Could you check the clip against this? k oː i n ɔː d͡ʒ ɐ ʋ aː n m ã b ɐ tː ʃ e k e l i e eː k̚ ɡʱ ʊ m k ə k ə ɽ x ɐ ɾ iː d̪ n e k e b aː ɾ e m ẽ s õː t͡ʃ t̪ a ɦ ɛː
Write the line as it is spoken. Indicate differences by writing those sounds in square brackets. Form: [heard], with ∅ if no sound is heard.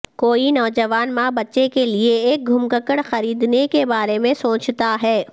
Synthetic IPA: k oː i n ɔː d͡ʒ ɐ ʋ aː n m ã b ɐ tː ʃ e k e l i e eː k̚ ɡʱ ʊ m k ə k ə ɽ x ɐ ɾ iː d̪ n e k e b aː ɾ e m ẽ s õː t͡ʃ t̪ a ɦ ɛː